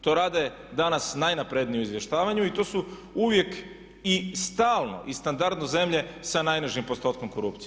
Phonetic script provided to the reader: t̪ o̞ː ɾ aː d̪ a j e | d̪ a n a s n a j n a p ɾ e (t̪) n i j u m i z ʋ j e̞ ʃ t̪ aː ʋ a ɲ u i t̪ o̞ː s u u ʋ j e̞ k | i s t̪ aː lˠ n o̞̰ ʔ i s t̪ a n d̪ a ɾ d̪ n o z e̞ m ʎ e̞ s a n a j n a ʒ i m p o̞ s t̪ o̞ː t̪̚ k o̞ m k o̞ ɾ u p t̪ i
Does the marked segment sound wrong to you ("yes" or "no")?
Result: yes